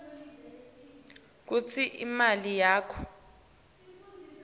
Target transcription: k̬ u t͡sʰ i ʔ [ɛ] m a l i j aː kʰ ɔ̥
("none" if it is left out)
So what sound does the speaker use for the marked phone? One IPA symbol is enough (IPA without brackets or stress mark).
i